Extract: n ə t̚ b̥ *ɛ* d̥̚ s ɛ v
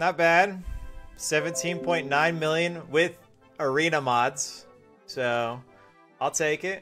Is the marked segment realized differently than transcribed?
yes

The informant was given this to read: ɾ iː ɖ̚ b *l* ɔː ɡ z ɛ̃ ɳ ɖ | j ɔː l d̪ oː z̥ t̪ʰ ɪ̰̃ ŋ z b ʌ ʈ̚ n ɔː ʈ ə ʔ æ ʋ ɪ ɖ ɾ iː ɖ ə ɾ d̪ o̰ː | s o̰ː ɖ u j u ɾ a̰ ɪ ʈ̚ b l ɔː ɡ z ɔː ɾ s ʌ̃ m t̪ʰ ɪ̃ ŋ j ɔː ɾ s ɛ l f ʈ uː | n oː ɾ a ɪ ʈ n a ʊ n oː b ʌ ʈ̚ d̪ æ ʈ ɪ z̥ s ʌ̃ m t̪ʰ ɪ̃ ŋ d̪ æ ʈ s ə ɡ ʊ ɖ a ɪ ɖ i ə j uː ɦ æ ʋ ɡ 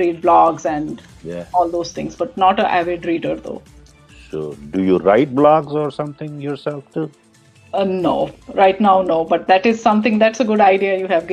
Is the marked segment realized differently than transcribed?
no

